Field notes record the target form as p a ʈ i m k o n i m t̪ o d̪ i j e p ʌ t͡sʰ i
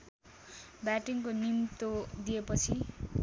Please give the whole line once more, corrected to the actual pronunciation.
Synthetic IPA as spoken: b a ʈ i ŋ k o n i m t̪ o d̪ i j e p ʌ t͡sʰ i